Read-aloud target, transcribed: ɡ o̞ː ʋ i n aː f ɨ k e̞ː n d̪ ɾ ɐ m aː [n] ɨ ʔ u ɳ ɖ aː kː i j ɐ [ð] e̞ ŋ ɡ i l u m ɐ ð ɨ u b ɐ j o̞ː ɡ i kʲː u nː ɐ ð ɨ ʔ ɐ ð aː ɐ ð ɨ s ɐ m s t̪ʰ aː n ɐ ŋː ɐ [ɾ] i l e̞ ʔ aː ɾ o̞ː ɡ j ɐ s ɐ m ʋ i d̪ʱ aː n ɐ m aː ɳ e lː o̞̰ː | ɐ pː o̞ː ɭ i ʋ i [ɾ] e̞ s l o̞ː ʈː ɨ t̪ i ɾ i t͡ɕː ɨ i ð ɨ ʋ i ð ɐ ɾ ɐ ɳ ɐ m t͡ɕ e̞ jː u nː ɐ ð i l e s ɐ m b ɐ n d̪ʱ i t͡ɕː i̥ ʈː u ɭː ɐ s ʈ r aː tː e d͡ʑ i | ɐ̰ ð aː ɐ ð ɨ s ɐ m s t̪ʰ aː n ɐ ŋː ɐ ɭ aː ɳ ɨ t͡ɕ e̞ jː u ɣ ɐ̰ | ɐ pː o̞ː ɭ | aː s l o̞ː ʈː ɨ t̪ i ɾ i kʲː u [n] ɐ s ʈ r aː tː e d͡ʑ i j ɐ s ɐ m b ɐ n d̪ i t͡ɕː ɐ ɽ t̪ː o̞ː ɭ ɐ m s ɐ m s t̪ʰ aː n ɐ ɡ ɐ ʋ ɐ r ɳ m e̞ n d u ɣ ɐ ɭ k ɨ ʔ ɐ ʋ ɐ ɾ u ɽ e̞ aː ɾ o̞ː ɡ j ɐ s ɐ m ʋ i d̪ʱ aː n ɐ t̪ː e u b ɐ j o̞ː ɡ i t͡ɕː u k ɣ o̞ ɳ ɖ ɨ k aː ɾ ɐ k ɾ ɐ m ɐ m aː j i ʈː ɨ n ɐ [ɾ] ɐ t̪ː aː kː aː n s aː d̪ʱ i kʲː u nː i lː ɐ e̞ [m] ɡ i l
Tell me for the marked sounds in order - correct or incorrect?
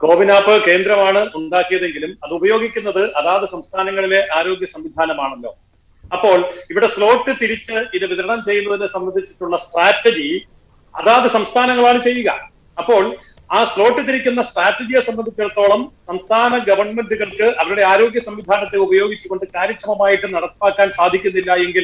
incorrect, correct, incorrect, incorrect, incorrect, incorrect, incorrect

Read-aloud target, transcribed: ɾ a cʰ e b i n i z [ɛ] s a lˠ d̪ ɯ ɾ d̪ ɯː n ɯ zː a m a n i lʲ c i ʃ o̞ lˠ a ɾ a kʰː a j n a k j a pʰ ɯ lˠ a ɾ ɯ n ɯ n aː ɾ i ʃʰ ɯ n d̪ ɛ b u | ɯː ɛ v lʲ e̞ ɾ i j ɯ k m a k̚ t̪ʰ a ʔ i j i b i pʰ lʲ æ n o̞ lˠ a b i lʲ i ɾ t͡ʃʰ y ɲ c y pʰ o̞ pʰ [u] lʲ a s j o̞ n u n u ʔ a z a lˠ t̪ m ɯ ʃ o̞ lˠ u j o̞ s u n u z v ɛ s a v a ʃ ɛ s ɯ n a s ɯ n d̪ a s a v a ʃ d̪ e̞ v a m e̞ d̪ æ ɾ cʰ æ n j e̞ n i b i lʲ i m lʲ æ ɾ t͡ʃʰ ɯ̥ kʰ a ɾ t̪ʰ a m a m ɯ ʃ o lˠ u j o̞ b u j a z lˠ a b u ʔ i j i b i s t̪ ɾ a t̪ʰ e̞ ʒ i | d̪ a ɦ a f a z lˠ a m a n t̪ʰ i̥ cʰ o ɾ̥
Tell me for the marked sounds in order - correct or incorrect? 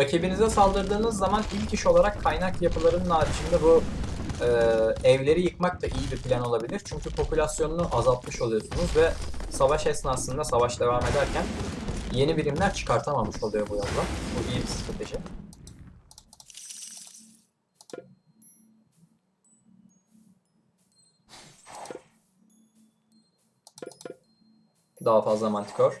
correct, correct

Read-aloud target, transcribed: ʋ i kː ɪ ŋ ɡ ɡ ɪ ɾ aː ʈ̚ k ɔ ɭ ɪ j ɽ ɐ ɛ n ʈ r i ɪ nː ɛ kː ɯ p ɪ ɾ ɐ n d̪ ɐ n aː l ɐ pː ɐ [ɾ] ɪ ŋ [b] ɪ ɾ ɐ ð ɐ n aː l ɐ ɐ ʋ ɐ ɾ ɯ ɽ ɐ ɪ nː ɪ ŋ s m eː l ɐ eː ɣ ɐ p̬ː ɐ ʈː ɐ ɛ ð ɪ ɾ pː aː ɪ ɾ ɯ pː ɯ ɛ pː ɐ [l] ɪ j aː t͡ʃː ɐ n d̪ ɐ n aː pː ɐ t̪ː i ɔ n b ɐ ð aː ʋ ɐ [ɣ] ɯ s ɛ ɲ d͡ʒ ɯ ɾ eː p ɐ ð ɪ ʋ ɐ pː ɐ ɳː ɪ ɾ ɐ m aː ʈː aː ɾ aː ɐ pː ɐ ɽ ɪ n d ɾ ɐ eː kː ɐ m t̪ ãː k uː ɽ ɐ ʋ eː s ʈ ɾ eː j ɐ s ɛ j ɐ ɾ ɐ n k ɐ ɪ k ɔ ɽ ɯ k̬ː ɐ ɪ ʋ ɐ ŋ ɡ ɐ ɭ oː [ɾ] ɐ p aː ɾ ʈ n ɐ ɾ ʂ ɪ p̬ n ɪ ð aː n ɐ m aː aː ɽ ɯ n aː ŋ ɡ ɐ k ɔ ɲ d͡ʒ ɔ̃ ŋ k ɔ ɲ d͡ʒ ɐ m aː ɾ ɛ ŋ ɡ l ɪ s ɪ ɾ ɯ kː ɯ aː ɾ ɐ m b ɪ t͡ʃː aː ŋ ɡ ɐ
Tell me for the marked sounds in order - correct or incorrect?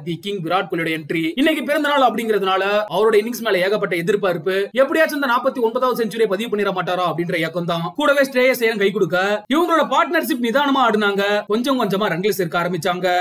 incorrect, incorrect, incorrect, incorrect, incorrect

